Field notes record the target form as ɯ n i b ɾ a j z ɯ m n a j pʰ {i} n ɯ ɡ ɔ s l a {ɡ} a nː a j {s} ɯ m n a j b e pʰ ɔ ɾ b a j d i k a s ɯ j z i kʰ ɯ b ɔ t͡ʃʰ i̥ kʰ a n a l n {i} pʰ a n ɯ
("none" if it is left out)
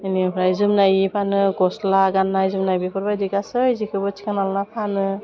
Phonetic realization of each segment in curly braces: a, ɡ, z, a

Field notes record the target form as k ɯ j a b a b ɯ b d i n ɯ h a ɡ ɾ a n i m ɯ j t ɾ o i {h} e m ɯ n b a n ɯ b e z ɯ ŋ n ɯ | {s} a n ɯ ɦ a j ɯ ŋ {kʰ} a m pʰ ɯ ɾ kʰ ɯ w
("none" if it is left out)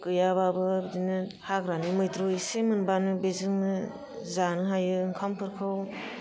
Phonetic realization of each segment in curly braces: s, z, kʰ

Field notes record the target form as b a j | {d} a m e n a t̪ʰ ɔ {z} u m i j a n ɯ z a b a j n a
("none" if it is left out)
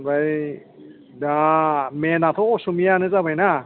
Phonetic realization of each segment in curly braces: d, s

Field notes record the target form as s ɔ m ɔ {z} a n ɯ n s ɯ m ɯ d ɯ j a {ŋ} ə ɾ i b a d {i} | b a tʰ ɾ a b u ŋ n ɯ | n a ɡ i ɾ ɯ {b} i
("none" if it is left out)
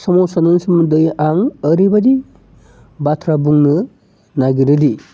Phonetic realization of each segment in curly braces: s, ŋ, i, d

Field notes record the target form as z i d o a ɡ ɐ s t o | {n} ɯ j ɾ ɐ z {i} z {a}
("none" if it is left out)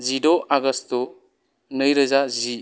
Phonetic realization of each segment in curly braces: n, a, i

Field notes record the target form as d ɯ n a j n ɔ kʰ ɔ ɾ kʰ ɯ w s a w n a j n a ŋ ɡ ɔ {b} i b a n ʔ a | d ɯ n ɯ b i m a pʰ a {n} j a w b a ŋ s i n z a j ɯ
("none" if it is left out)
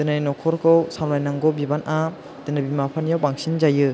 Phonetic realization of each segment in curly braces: b, n

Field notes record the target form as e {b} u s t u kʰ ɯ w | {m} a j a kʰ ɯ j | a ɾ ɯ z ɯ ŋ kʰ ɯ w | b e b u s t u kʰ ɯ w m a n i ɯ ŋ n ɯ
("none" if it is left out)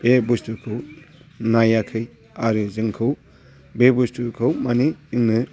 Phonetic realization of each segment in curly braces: b, n

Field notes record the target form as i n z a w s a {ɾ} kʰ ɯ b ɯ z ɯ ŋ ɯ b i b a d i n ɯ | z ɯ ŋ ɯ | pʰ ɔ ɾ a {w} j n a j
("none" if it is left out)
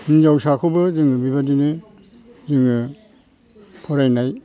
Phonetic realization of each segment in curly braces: none, none

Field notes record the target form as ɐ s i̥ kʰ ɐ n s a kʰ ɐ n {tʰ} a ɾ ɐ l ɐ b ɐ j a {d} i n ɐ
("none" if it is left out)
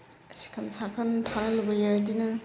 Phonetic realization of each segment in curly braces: tʰ, d

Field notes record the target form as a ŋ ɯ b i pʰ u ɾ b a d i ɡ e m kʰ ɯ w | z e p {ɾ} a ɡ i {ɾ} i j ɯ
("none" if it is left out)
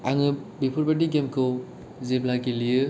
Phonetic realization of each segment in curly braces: l, l

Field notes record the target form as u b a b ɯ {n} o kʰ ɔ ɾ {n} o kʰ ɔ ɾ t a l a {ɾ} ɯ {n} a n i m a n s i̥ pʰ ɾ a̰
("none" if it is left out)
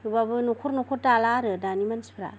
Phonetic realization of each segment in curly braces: n, n, ɾ, d

